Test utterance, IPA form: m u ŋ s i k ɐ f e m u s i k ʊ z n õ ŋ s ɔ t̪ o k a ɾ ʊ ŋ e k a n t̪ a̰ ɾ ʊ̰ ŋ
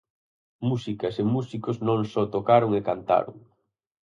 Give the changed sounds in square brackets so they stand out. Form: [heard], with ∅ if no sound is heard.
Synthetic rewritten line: m u [∅] s i k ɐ [s] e m u s i k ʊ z n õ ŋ s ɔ t̪ o k a ɾ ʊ ŋ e k a n t̪ a̰ ɾ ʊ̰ ŋ